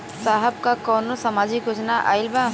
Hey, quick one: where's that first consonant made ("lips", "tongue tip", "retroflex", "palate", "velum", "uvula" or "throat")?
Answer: tongue tip